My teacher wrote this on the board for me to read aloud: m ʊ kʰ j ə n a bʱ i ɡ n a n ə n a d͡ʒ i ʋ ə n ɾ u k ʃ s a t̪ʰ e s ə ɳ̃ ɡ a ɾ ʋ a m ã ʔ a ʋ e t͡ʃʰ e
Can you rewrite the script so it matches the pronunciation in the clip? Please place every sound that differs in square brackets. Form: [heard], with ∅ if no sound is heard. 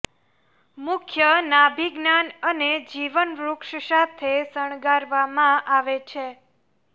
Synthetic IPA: m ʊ kʰ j ə n a bʱ i ɡ n a n ə n [e] d͡ʒ i ʋ ə n ɾ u k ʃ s a t̪ʰ e s ə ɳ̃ ɡ a ɾ ʋ a m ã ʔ a ʋ e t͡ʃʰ e